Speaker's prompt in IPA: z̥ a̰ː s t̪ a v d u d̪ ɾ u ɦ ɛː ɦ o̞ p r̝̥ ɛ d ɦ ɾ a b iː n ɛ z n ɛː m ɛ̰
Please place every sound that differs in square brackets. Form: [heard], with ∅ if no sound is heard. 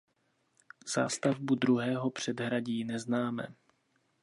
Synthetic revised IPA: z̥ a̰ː s t̪ a v [b] u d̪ ɾ u ɦ ɛː ɦ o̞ p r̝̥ ɛ d ɦ ɾ a [ɟ] iː n ɛ z n [aː] m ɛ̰